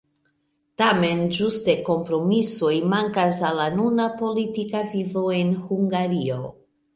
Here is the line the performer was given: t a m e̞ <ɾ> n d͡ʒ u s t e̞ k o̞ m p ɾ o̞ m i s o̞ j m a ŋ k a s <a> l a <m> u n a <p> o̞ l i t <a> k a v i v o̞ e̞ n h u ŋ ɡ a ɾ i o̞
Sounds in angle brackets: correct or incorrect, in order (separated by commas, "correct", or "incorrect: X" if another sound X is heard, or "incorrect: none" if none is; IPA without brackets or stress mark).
incorrect: none, correct, incorrect: n, correct, incorrect: i